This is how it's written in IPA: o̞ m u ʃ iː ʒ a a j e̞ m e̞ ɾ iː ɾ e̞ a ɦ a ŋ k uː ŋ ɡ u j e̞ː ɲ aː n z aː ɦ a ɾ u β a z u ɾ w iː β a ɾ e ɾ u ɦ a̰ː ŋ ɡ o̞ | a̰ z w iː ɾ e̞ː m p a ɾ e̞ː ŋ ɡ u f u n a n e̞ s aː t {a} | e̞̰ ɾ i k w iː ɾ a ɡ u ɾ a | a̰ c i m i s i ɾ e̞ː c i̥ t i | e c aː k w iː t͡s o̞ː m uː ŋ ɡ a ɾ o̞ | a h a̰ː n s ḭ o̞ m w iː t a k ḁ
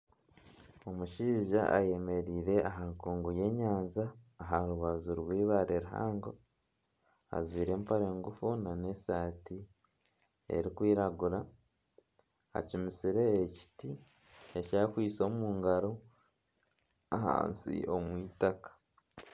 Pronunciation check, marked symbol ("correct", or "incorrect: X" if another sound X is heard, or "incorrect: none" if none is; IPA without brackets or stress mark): incorrect: i